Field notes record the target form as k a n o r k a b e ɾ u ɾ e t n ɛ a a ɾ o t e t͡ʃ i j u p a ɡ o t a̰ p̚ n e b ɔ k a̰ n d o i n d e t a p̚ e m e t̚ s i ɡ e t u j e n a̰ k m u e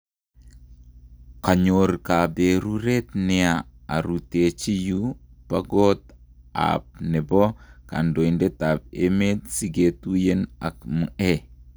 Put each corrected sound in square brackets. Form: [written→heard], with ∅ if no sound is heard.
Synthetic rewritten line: k a [n→ɲ] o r k a b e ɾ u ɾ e t n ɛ a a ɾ [o→u] t e t͡ʃ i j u p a ɡ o t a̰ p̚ n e b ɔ k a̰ n d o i n d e t a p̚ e m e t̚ s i ɡ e t u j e n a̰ k m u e